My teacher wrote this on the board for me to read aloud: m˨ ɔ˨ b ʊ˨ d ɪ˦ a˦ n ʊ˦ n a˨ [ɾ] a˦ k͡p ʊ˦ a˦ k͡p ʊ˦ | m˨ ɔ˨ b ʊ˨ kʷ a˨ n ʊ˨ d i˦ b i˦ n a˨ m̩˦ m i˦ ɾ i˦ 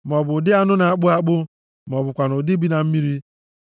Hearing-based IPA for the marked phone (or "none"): none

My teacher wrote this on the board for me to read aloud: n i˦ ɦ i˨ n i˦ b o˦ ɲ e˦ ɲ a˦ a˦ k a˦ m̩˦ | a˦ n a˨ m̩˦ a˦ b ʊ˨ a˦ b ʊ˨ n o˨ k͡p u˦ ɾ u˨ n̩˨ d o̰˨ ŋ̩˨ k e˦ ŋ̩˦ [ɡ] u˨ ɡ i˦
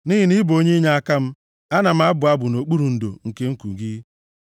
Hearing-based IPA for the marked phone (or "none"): k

